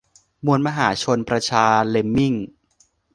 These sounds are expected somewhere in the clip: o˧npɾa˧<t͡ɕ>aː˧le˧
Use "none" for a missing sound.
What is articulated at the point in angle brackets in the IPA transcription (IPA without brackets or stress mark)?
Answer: t͡ɕʰ